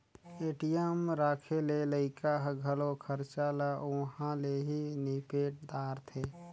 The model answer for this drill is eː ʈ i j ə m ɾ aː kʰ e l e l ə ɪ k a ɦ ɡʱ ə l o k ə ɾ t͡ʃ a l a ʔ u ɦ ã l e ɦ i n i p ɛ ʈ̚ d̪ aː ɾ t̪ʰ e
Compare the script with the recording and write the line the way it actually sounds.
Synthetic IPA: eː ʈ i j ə m ɾ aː kʰ e l e l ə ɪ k a ɦ ɡʱ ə l o kʰ ə ɾ t͡ʃ a l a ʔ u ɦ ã l e ɦ i n i p e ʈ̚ d̪ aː ɾ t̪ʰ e

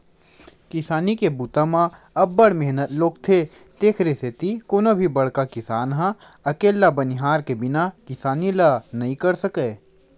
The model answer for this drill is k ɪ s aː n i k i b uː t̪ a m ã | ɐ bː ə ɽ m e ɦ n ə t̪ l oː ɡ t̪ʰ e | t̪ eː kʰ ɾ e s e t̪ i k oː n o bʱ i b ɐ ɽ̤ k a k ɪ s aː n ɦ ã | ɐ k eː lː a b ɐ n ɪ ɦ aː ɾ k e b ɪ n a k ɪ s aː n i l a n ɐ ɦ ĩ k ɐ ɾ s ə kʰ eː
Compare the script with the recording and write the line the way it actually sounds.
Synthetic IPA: k ɪ s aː n i k e b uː t̪ a m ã | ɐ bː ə ɽ m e ɦ n ə t̪ l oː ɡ t̪ʰ e | t̪ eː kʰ ɾ e s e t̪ i k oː n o bʱ i b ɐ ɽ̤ k a k ɪ s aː n ɦ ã | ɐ k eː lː a b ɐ n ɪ ɦ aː ɾ k e b ɪ n a k ɪ s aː n i l a n ɐ ɦ ĩ k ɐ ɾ s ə k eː

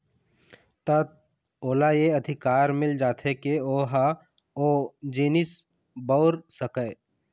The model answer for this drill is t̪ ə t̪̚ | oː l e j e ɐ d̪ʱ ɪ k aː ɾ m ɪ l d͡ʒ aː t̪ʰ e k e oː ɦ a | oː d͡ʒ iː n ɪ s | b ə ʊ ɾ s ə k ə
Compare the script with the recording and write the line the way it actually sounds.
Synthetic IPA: t̪ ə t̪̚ | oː l a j e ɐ d̪ʱ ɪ k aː ɾ m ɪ l d͡ʒ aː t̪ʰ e k e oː ɦ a | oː d͡ʒ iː n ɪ s | b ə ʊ ɾ s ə k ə

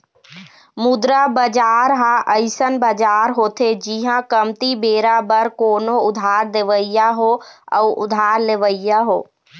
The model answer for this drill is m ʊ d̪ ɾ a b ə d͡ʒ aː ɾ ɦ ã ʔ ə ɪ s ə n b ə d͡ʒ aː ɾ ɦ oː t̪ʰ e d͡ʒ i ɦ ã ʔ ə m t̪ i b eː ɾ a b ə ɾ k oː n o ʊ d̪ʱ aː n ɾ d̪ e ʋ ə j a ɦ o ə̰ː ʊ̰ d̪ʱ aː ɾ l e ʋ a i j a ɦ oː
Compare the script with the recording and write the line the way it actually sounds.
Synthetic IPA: m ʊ d̪ ɾ a b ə d͡ʒ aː ɾ ɦ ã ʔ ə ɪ s ə n b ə d͡ʒ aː ɾ ɦ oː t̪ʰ e d͡ʒ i ɦ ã k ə m t̪ i b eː ɾ a b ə ɾ k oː n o ʊ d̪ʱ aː ɾ d̪ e ʋ ə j a ɦ o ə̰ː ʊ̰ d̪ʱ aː ɾ l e ʋ ə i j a ɦ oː

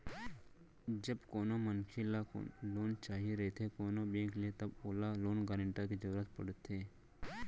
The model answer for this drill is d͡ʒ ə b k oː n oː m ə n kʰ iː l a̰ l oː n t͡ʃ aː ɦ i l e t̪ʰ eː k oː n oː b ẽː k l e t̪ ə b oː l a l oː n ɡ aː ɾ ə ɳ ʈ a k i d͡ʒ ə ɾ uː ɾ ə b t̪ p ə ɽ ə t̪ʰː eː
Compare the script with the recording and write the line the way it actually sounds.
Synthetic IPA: d͡ʒ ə b k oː n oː m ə n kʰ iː l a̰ l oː n t͡ʃ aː ɦ i ɾ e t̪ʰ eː k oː n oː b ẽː k l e t̪ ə b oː l a l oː n ɡ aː ɾ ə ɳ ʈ a k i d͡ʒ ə ɾ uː ɾ ə t̪ p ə ɽ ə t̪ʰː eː

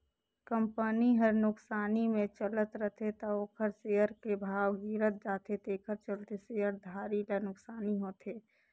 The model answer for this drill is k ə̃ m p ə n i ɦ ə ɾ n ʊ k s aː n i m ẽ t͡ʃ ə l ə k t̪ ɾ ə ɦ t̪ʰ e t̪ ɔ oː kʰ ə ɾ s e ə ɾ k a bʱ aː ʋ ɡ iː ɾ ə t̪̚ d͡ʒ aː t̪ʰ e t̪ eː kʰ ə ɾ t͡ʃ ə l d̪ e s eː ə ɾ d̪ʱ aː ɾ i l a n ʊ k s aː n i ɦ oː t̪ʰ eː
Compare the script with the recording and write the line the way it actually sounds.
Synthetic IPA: k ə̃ m p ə n i ɦ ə ɾ n ʊ k s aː n i m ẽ t͡ʃ ə l ə t̪ ɾ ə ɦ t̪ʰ e t̪ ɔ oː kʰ ə ɾ s e ə ɾ k e bʱ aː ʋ ɡ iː ɾ ə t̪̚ d͡ʒ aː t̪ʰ e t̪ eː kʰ ə ɾ t͡ʃ ə l t̪ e s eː ə ɾ d̪ʱ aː ɾ i l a n ʊ k s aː n i ɦ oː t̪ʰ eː

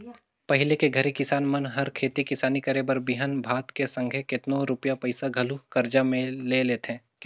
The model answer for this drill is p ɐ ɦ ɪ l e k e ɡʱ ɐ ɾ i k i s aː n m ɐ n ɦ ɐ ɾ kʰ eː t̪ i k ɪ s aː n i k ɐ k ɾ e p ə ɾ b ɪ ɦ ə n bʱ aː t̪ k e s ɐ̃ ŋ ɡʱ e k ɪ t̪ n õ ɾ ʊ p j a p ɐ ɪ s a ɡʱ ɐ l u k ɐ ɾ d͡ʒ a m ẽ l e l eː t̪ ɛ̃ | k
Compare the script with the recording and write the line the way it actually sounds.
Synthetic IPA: p ɐ ɦ ɪ l e k e ɡʱ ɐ ɾ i k ɪ s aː n m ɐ n ɦ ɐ ɾ kʰ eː t̪ i k ɪ s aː n i k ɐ ɾ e b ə ɾ b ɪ ɦ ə n bʱ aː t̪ k e s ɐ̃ ŋ ɡʱ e k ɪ t̪ n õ ɾ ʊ p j a p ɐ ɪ s a ɡʱ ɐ l u k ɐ ɾ d͡ʒ a m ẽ l e l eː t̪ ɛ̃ | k

